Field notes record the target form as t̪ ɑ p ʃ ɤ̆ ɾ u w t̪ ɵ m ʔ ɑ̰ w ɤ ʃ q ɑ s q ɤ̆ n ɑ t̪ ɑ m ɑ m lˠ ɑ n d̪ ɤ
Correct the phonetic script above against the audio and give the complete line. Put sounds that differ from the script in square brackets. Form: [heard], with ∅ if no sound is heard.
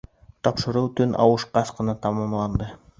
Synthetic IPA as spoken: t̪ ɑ p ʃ ɤ̆ ɾ u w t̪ ɵ [n] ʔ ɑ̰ w ɤ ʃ q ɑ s q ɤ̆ n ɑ t̪ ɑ m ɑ m lˠ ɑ n d̪ ɤ